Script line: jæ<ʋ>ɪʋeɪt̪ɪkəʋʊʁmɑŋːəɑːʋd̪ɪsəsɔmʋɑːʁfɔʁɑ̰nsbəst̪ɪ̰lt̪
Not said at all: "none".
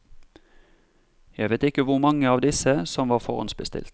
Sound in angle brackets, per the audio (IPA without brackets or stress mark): none